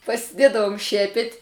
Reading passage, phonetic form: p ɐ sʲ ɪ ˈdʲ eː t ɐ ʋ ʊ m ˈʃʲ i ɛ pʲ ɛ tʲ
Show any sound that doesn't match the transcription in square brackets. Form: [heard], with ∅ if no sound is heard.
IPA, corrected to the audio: p ɐ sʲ ɪ ˈdʲ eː [d] ɐ ʋ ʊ m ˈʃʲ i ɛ pʲ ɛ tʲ